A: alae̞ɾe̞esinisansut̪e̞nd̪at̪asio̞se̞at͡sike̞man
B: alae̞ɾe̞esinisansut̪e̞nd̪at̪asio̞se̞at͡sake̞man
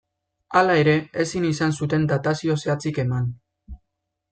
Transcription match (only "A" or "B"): A